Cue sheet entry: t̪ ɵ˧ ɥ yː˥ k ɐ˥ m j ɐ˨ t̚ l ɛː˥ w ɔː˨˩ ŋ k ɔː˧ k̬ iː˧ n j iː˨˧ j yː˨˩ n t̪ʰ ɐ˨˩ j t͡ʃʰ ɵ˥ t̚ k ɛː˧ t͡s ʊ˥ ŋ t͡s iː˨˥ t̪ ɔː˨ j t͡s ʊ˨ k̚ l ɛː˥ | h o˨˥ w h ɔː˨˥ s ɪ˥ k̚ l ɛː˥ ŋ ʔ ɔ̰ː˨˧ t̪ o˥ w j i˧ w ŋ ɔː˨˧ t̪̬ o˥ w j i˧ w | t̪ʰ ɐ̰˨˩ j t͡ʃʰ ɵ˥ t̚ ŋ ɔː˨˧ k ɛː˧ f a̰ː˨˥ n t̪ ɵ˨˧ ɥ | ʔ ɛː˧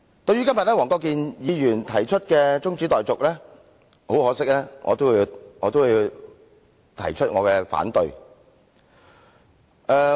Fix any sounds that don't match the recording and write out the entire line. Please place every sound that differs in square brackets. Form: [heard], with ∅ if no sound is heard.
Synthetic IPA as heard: t̪ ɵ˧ ɥ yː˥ k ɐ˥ m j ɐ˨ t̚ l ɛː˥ w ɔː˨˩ ŋ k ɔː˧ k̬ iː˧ n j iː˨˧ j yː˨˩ n t̪ʰ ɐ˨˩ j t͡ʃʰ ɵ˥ t̚ k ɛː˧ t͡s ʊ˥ ŋ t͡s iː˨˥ t̪ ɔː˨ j t͡s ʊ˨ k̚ l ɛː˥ | h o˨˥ w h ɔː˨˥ s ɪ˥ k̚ l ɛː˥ ŋ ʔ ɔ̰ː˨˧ t̪ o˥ w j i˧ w ŋ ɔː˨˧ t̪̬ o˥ w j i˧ w | t̪ʰ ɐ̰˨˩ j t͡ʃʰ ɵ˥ t̚ ŋ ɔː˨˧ k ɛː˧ f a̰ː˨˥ n t̪ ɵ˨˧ ɥ | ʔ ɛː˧